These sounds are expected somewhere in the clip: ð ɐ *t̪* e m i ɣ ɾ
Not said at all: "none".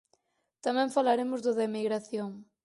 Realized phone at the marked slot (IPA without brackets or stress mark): none